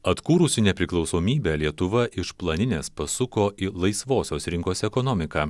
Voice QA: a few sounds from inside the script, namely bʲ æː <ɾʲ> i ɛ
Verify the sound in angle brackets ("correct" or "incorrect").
incorrect